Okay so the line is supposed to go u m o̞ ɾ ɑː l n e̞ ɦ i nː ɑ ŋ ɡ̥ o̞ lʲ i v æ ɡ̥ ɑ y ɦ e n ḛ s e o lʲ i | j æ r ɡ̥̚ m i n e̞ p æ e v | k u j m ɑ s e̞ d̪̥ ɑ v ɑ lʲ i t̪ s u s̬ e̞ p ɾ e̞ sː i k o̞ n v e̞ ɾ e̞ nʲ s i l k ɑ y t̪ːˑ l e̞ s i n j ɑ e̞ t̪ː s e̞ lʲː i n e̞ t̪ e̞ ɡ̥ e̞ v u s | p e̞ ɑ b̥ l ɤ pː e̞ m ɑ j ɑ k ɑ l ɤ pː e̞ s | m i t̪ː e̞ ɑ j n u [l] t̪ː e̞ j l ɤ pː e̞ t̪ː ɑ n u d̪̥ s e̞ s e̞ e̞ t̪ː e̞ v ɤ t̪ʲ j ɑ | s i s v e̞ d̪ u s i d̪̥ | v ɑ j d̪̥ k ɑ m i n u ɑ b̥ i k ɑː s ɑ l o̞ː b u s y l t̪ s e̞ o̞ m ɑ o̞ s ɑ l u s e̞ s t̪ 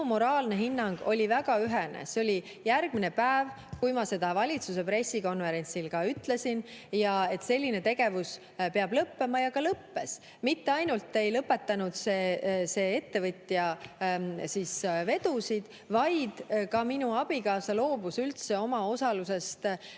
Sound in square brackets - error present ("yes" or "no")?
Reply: no